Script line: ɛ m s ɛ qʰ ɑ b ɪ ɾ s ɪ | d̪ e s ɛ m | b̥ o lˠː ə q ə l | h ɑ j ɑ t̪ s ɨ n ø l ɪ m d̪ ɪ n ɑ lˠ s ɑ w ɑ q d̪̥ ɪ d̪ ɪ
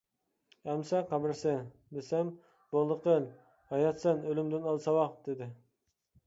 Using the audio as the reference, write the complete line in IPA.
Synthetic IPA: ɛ m s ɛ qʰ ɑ b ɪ ɾ s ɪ | d̪ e s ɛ m | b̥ o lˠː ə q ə l | h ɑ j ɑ t̪ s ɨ n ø l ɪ m d̪ ɪ n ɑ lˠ s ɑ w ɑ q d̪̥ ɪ d̪ ɪ